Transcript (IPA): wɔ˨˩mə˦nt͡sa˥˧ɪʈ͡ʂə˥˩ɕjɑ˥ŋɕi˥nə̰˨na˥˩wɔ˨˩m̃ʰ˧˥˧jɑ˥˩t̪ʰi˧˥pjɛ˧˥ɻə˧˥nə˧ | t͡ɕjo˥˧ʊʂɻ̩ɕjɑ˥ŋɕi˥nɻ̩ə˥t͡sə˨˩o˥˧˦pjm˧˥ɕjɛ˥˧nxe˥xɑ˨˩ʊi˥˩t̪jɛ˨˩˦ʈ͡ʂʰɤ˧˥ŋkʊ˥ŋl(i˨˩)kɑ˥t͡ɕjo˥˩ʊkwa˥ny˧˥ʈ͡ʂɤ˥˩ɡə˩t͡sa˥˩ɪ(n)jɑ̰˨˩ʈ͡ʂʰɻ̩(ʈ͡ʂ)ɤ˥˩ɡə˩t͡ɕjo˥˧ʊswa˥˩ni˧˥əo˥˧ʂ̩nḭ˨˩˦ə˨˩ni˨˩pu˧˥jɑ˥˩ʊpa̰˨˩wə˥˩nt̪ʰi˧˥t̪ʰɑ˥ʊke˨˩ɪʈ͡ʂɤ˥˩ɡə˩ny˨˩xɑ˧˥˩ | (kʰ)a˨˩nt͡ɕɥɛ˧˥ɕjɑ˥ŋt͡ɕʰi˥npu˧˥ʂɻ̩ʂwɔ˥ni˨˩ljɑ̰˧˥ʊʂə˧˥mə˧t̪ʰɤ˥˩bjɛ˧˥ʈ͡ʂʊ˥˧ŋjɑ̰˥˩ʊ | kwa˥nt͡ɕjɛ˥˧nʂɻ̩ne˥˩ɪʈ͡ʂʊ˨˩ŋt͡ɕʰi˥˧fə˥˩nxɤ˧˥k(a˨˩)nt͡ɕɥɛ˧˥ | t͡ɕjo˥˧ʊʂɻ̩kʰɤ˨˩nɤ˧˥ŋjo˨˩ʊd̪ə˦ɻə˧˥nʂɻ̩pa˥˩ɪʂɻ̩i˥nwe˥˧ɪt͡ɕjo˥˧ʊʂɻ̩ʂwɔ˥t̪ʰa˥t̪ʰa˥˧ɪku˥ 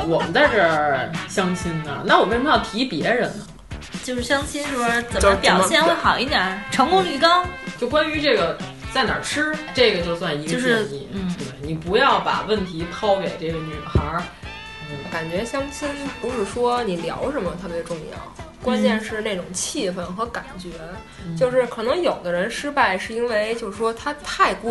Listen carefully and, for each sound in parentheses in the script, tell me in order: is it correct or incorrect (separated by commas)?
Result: incorrect, correct, correct, incorrect, correct